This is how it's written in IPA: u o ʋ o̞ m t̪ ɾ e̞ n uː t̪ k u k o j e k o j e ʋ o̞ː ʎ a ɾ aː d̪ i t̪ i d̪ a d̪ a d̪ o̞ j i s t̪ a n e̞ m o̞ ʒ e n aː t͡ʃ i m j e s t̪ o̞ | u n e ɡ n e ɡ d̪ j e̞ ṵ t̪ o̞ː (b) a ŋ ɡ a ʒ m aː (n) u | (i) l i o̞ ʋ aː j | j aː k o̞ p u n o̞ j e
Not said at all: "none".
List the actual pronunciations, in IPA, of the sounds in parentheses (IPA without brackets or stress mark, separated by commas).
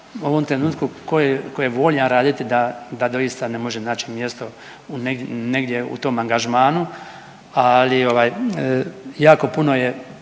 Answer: m, n, a